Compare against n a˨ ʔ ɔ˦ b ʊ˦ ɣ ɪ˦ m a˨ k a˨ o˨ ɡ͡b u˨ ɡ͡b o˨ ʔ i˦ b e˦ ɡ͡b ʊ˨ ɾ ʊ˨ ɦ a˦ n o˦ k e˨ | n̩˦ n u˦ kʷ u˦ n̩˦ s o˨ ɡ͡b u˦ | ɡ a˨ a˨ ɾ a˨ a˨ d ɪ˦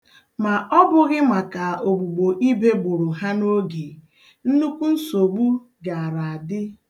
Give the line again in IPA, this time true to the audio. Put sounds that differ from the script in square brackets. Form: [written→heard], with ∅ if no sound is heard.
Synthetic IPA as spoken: [n→m] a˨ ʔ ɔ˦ b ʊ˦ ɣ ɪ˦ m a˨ k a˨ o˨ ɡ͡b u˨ ɡ͡b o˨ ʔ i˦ b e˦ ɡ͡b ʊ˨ ɾ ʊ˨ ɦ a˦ n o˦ [k→ɡ] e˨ | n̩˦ n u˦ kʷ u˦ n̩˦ s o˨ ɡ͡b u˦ | ɡ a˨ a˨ ɾ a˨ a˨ d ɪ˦